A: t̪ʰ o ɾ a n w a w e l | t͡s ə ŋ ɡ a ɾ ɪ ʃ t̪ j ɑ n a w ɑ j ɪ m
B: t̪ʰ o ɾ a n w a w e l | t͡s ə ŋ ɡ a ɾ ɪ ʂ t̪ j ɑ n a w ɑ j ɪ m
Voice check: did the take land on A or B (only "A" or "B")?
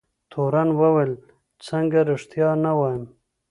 B